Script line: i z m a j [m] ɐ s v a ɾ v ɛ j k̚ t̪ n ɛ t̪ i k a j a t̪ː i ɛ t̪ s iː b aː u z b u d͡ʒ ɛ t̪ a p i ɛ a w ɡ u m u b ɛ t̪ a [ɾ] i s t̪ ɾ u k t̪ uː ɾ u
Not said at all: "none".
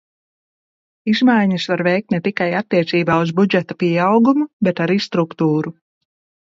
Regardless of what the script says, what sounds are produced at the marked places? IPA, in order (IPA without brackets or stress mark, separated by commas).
ɲ, ɾ